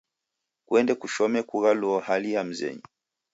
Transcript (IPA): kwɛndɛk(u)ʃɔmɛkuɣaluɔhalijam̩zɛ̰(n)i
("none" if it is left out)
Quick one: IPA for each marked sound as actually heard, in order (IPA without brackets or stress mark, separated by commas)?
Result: u, ɲ